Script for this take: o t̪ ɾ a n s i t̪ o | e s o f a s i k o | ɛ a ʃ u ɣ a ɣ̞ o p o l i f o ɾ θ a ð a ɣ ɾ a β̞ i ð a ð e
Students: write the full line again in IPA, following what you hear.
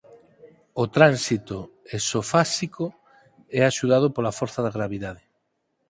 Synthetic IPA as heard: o t̪ ɾ a n s i t̪ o | e s o f a s i k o | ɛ a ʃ u ð a ð̞ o p o l a f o ɾ θ a ð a ɣ ɾ a β̞ i ð a ð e